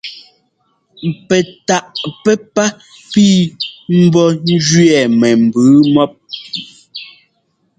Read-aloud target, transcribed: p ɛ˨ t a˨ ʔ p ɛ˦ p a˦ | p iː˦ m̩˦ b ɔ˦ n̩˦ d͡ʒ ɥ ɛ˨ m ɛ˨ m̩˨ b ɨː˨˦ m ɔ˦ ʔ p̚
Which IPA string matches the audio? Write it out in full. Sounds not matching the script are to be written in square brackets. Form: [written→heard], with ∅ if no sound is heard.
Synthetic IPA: p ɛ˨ t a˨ ʔ p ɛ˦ p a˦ | p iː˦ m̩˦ b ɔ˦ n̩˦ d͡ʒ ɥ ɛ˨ m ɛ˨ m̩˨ b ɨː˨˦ m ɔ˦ [ʔ→∅] p̚